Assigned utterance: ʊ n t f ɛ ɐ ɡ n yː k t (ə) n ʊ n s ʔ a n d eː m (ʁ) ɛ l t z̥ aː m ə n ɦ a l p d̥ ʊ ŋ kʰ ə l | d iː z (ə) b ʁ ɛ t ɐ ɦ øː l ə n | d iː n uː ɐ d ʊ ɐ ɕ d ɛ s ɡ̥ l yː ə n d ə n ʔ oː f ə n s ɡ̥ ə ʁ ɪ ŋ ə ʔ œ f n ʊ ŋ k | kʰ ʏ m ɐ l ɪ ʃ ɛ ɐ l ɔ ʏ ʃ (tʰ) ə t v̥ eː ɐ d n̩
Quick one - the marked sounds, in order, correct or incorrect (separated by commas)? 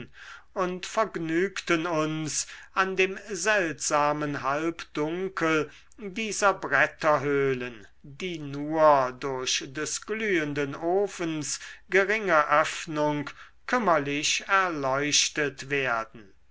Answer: correct, incorrect, incorrect, incorrect